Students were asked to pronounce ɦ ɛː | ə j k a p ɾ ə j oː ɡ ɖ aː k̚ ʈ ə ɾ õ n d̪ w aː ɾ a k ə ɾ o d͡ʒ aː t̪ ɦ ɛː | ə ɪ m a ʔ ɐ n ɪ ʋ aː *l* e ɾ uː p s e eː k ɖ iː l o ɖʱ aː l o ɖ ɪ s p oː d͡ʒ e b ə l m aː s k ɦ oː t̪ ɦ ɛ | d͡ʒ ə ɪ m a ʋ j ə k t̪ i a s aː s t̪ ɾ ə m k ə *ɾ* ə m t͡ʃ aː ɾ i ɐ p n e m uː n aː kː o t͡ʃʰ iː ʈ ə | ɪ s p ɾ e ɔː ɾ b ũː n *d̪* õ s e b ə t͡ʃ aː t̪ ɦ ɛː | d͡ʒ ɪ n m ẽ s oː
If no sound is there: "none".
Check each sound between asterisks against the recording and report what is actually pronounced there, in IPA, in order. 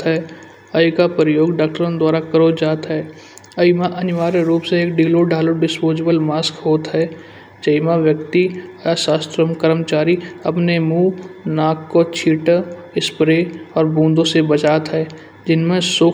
ɾ, ɾ, d̪

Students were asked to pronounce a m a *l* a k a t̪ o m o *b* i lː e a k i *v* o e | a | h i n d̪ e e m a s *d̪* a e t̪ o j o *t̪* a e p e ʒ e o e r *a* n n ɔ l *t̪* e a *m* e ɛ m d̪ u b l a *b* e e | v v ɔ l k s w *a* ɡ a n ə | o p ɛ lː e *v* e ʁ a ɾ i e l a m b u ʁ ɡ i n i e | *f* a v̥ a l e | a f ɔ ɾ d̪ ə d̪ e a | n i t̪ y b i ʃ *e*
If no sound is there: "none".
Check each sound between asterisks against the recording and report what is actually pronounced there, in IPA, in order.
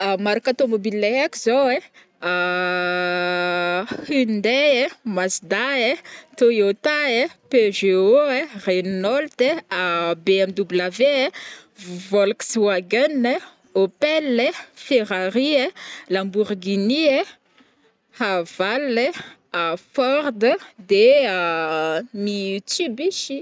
ɾ, b, z, d̪, t̪, e, t̪, b, v, a, f, h, i

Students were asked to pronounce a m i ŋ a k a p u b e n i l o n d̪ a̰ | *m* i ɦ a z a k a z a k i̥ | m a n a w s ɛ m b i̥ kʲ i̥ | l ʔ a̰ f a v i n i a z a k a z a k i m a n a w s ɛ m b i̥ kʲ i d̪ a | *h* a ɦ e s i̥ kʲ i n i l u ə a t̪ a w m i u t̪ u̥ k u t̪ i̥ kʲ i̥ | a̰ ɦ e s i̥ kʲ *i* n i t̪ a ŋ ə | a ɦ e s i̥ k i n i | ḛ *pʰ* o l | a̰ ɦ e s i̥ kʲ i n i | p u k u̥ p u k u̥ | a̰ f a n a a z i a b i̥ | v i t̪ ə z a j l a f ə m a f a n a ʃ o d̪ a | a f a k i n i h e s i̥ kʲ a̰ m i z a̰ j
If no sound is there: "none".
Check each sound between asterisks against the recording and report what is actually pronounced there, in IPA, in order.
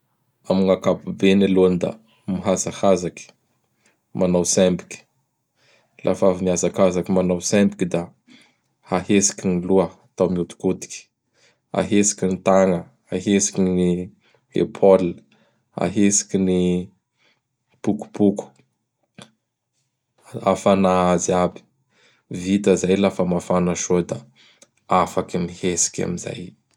m, h, i, pʰ

